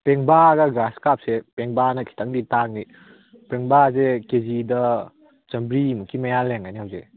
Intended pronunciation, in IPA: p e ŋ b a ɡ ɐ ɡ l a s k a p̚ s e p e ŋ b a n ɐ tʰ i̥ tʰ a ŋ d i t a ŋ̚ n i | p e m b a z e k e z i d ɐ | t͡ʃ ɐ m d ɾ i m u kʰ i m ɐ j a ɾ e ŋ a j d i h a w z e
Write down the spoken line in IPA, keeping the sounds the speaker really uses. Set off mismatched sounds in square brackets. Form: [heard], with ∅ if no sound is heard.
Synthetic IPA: p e ŋ b a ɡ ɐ ɡ [ɾ] a s k a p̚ s e p e ŋ b a n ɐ [kʰ] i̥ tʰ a ŋ d i t a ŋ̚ n i | p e [ŋ] b a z e k e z i d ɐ | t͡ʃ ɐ m [b] ɾ i m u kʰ i m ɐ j a [l] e ŋ a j [n] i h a w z e